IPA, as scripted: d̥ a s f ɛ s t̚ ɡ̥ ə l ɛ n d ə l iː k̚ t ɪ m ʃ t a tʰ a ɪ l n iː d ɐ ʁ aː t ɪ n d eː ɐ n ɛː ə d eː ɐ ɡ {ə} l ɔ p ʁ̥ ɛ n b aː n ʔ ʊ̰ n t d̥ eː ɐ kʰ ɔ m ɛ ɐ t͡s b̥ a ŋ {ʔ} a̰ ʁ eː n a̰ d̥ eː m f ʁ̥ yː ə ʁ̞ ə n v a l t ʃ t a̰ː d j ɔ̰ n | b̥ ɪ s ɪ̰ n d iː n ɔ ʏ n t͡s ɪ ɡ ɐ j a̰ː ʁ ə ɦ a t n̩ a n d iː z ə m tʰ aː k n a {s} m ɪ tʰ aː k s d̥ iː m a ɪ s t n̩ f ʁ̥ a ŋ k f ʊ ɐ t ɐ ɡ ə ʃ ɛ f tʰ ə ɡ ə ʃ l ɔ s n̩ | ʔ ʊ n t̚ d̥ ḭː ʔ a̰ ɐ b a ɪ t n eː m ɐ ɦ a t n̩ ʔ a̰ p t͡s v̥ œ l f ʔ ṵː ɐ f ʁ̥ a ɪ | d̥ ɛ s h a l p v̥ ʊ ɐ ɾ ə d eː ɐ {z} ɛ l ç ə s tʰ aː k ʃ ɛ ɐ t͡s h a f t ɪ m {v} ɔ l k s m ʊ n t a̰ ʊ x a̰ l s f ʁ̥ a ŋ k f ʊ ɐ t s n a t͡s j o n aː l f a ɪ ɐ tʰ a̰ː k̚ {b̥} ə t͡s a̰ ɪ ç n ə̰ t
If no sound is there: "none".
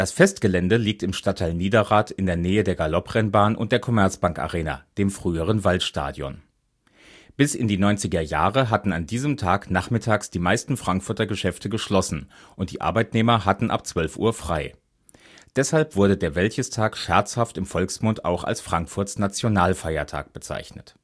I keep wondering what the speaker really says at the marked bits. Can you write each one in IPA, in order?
a, k, χ, v, f, b̥

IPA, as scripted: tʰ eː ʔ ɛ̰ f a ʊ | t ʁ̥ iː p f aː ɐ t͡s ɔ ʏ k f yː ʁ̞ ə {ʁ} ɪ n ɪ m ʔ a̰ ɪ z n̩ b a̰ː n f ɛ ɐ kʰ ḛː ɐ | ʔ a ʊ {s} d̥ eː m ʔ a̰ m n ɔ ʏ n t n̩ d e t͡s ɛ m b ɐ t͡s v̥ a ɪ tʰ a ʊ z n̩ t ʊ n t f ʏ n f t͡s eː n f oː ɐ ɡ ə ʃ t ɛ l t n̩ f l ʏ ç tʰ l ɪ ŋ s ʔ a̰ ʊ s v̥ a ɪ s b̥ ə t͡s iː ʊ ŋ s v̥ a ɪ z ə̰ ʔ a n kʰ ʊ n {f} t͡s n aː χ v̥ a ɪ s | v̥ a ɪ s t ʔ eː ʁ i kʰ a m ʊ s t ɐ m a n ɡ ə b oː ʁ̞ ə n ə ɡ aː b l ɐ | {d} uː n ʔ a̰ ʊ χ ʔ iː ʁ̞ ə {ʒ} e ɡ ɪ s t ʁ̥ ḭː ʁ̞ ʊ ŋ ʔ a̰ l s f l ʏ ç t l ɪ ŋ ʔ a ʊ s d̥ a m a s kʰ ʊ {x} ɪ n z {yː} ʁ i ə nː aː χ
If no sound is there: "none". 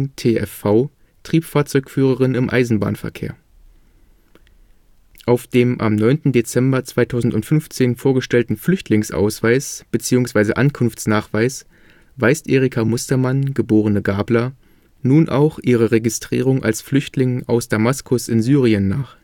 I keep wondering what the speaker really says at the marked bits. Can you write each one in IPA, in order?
ʁ, f, f, n, ʁ, s, yː

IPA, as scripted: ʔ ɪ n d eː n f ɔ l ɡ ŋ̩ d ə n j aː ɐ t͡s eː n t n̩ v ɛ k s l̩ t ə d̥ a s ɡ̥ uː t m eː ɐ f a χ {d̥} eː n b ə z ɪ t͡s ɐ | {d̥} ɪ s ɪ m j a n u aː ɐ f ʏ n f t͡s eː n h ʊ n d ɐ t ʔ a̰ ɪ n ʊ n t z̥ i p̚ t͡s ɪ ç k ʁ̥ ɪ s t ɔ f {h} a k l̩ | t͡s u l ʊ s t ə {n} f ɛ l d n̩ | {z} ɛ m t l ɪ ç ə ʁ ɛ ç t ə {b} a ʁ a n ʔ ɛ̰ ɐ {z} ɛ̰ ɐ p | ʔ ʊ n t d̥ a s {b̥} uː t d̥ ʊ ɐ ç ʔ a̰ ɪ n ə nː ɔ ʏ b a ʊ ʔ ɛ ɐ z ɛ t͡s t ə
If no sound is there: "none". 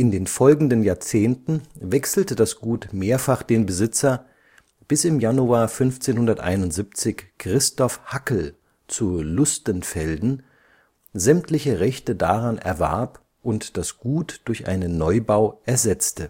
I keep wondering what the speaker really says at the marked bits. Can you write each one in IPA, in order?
d̥, b̥, h, n, z, d, v, ɡ̥

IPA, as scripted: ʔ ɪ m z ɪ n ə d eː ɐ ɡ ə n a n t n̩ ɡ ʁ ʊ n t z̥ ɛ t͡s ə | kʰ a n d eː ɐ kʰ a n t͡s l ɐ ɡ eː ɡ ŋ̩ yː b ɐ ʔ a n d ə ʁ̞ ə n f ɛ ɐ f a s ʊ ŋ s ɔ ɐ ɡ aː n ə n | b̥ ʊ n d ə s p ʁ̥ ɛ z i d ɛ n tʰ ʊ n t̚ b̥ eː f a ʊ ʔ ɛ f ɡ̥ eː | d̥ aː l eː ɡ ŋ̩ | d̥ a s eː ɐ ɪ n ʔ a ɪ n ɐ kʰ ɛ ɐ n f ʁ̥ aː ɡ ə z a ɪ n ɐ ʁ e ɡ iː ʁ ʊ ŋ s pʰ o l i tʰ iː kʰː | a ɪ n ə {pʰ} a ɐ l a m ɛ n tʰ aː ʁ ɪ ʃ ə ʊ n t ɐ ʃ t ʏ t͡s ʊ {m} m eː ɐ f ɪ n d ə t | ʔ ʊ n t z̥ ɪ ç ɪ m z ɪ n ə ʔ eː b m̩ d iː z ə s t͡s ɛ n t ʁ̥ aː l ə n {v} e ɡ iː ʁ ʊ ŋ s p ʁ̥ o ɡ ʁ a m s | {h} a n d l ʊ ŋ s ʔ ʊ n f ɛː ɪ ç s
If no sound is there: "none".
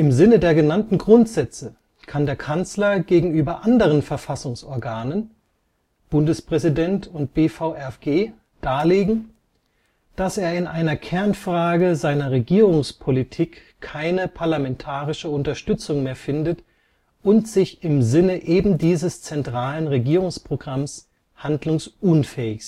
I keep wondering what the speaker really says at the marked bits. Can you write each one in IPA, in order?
pʰ, ŋ, ʁ, h

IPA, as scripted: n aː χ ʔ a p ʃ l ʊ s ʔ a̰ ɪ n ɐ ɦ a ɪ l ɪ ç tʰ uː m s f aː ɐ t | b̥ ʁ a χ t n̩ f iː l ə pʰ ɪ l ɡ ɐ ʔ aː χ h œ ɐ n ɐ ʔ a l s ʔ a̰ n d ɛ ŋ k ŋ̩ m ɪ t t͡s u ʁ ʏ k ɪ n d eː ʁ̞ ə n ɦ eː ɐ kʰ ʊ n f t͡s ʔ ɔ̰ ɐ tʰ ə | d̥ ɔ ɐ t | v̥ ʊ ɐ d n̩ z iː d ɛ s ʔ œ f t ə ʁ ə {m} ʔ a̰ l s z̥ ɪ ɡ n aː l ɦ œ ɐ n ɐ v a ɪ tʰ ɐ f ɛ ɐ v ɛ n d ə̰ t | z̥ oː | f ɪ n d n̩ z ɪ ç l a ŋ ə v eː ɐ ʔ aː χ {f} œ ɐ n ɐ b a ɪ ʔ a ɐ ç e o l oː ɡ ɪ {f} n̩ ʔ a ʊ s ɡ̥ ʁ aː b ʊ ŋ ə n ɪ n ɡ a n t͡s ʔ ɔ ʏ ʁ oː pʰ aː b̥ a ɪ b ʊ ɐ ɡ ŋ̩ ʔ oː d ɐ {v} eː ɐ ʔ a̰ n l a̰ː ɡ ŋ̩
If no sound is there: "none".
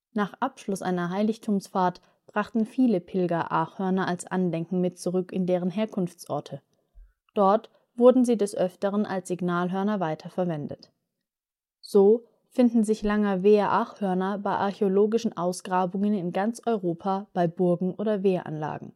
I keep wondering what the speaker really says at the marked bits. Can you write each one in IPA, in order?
n, h, ʃ, v

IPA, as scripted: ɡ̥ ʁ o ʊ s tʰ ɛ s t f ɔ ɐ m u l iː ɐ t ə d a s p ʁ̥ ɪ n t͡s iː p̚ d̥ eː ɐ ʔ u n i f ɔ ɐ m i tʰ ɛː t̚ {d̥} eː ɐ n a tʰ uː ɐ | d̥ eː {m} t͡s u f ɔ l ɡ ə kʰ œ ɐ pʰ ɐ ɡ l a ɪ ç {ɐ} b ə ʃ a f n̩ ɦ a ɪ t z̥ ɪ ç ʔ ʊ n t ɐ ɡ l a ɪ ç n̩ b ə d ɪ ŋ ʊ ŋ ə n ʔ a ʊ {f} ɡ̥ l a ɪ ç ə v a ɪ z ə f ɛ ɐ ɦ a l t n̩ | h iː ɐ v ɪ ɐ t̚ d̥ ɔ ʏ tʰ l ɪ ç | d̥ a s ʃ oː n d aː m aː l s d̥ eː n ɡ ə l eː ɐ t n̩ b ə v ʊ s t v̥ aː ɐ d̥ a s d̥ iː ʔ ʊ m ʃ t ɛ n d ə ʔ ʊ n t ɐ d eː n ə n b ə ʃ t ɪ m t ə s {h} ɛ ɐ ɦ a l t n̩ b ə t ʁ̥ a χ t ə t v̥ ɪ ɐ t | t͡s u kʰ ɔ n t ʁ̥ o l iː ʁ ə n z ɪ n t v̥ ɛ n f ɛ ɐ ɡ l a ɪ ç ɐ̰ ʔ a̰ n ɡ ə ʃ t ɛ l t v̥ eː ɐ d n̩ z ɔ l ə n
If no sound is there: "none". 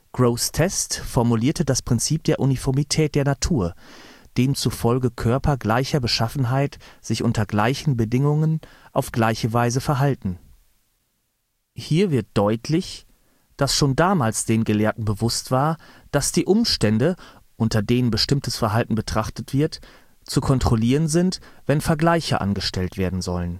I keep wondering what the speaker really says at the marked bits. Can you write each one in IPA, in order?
d̥, m, ɐ, f, f

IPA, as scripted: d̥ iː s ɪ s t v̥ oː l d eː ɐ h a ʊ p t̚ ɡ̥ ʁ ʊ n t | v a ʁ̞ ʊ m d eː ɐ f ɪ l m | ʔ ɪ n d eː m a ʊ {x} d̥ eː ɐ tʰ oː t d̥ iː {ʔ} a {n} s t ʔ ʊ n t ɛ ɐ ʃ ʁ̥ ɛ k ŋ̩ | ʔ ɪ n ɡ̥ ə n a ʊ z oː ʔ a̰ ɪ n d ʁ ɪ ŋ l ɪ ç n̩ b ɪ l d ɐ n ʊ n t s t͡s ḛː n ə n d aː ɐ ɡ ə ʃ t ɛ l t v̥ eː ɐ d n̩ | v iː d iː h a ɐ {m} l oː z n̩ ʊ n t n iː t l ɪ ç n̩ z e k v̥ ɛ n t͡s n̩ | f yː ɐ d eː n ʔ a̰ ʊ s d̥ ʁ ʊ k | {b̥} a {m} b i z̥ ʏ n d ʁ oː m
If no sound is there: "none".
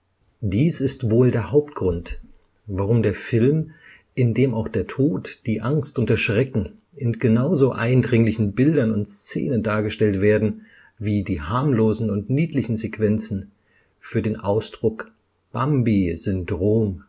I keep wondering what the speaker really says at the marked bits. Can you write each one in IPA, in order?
x, ʔ, ŋ, m, b̥, m

